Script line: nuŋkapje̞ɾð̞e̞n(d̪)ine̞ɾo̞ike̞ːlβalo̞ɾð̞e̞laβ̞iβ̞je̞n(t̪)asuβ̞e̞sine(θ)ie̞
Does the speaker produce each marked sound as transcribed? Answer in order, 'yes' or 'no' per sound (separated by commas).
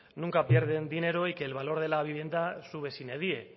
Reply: yes, no, no